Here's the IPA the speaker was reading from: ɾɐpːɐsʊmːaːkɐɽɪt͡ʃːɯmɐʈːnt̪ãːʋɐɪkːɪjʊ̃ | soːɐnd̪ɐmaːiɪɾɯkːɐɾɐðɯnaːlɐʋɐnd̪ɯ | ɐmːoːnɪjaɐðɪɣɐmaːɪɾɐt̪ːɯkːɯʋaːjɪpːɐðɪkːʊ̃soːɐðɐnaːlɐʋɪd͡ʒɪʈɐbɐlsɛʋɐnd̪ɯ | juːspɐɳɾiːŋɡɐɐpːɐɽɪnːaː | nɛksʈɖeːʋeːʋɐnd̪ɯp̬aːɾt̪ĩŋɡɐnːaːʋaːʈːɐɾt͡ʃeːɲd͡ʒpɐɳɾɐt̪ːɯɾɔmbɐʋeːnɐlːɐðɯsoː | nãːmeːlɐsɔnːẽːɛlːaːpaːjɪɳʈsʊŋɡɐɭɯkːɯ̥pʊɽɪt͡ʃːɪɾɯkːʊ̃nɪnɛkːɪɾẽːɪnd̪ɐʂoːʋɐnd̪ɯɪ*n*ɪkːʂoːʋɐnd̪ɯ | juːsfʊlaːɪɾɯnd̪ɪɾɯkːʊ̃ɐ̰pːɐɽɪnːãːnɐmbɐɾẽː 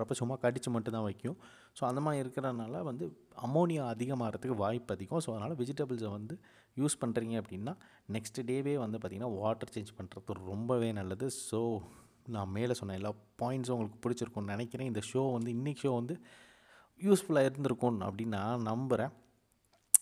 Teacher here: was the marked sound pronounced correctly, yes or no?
no